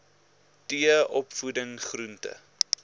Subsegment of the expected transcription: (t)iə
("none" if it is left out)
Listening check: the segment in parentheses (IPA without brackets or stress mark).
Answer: t